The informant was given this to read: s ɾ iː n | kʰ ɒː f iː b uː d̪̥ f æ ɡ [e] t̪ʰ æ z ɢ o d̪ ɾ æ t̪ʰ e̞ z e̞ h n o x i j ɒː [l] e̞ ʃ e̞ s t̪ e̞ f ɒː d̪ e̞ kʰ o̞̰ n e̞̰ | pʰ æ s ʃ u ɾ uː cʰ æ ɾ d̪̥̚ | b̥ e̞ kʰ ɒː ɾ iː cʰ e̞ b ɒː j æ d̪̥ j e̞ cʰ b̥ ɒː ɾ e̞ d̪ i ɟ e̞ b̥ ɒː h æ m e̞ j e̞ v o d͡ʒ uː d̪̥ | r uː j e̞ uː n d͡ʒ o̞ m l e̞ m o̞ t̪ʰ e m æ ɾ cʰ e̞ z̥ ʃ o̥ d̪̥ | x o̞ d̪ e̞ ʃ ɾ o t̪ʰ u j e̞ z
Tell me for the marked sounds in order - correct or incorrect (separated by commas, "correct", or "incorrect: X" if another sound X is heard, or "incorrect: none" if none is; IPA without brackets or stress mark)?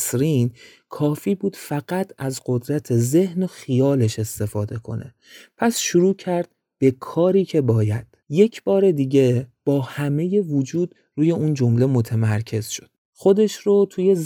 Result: incorrect: æ, correct